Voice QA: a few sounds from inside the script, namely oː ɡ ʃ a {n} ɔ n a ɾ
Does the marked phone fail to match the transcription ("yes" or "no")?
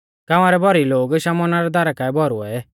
yes